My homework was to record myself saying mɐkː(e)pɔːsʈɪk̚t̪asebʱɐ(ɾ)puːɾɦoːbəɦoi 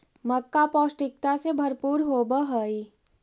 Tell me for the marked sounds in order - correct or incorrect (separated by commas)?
incorrect, correct